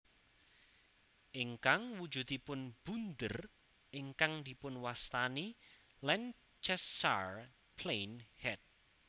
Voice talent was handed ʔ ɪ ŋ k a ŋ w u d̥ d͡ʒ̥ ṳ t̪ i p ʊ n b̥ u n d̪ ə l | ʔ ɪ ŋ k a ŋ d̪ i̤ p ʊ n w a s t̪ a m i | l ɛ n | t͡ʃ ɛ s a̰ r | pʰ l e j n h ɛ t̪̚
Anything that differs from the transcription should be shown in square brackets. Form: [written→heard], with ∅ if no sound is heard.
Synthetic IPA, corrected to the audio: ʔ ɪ ŋ k a ŋ w u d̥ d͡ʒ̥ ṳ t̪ i p ʊ n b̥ u n d̪ ə [l→r] | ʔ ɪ ŋ k a ŋ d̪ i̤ p ʊ n w a s t̪ a [m→n] i | l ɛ n | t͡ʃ ɛ s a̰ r | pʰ l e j n h ɛ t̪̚